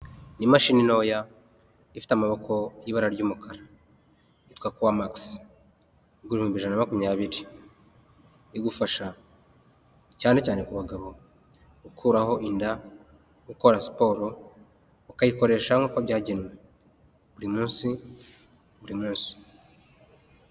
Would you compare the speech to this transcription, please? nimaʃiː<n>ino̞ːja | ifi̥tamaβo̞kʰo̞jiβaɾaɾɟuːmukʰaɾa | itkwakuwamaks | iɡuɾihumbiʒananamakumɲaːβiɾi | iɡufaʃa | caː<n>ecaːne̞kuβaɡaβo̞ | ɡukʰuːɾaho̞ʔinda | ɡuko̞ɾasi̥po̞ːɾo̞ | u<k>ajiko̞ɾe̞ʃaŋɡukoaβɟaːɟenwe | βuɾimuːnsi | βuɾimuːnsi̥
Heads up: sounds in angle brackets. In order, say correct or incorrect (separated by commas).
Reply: correct, correct, correct